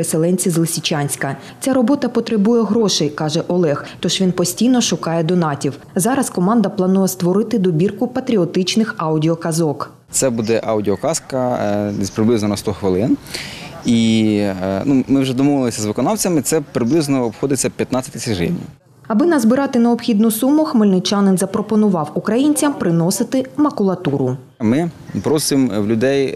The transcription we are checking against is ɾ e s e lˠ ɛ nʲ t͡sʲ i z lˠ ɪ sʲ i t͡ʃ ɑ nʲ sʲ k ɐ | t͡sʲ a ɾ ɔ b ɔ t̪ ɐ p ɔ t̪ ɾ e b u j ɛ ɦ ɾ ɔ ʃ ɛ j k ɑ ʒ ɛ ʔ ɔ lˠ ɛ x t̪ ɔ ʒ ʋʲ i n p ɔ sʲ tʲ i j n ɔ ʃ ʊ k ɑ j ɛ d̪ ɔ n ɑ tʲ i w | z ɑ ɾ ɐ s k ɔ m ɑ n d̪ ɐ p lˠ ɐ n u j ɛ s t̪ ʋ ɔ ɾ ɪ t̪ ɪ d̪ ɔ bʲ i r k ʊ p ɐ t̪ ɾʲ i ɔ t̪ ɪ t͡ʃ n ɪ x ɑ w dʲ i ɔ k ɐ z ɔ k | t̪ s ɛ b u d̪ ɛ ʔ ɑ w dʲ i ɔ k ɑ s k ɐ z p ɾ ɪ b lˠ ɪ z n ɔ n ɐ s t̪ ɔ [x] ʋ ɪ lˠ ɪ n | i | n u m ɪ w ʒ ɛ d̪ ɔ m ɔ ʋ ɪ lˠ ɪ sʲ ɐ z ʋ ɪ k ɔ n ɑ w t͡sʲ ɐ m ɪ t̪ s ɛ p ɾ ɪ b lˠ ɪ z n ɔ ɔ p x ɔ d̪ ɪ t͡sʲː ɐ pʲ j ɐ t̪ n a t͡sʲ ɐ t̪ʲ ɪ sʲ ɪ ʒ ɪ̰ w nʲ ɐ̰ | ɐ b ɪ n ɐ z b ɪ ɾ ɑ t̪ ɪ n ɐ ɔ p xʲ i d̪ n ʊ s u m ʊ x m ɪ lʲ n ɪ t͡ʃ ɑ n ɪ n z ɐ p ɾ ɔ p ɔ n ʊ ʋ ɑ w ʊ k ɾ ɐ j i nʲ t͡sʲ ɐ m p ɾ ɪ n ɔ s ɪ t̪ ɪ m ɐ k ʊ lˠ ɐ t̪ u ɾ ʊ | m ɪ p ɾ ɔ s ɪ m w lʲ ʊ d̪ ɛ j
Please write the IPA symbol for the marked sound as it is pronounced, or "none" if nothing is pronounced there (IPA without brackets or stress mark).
x